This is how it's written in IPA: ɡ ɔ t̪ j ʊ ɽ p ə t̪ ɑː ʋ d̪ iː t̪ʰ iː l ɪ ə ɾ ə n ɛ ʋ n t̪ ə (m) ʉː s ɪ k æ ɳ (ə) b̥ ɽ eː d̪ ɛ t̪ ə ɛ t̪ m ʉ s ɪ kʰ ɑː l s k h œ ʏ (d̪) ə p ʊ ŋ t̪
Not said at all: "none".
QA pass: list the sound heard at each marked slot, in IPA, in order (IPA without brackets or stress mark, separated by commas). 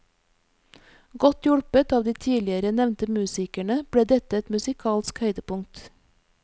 m, ə, d̪